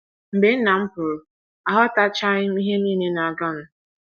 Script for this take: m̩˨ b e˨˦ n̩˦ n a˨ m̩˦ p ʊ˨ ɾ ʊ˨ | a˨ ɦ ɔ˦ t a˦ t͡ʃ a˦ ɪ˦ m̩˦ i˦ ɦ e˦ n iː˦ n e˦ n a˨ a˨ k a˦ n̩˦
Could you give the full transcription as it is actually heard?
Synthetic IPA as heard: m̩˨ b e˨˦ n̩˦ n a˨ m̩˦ p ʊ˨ ɾ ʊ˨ | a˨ ɦ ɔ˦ t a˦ t͡ʃ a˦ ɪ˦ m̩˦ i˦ ɦ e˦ n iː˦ n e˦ n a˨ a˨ ɡ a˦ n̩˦